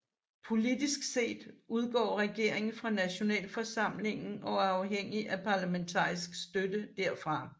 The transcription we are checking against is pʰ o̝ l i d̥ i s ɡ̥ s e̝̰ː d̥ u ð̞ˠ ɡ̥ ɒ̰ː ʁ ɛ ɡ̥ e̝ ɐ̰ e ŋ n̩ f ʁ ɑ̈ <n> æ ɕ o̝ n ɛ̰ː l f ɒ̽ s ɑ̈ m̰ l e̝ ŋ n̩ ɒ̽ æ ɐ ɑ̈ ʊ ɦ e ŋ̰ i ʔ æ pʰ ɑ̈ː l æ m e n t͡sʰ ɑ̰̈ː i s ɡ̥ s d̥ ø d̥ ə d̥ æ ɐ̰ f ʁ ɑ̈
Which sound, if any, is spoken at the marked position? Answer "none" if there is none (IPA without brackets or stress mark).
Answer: n